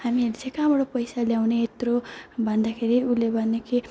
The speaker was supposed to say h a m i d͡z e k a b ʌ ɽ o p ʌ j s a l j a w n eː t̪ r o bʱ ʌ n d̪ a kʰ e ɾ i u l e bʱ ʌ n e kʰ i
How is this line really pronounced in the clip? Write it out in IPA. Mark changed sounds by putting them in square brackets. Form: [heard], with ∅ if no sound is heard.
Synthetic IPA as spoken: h a m i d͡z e k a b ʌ ɽ o p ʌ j s a l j a w n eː t̪ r o bʱ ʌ n d̪ a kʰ e ɾ i u l e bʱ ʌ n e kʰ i